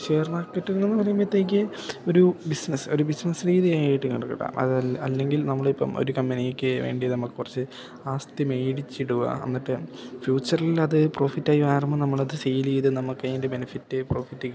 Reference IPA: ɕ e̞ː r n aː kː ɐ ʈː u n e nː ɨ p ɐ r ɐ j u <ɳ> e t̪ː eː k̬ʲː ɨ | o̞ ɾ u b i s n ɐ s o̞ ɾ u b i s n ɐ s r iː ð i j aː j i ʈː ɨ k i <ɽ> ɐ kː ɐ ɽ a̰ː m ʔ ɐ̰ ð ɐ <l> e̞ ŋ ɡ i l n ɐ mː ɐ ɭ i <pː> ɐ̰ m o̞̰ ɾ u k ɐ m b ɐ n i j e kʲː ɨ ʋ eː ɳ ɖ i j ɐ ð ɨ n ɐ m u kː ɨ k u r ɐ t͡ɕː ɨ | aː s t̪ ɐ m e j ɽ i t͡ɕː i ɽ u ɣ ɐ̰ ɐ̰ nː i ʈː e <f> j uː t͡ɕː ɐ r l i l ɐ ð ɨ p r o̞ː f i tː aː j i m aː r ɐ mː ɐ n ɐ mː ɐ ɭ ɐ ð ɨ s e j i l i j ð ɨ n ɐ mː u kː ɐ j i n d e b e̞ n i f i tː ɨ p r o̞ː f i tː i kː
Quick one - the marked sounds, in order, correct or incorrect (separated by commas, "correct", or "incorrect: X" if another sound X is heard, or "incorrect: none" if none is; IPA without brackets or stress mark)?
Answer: incorrect: m, correct, incorrect: lː, correct, correct